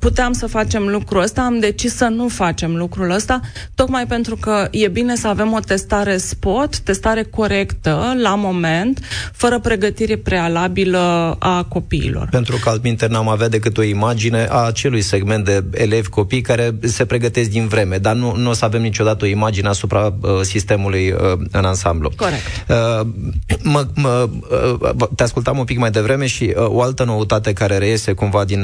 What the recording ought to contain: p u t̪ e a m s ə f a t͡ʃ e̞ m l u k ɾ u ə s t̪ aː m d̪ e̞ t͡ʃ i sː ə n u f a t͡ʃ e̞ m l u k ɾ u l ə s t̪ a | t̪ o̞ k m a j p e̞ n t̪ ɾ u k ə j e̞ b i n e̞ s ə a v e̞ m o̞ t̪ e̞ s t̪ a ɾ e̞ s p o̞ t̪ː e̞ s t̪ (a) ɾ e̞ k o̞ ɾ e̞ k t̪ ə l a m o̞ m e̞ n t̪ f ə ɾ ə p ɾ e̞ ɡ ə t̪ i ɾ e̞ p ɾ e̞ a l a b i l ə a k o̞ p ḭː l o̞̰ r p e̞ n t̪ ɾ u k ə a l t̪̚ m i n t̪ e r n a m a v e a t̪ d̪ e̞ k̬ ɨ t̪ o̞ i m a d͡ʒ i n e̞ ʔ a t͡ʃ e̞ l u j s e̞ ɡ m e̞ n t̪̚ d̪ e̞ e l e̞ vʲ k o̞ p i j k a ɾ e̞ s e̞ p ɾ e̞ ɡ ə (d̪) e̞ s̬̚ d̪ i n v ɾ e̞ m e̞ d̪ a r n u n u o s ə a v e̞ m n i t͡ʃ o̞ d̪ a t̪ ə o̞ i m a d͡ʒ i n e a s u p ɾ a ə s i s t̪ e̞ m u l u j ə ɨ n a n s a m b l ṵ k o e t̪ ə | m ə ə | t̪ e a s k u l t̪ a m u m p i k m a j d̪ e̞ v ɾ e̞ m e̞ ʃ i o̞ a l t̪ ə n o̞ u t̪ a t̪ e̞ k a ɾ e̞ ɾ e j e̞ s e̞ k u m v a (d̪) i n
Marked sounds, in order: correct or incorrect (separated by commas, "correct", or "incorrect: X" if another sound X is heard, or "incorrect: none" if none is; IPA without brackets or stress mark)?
correct, incorrect: t̪, correct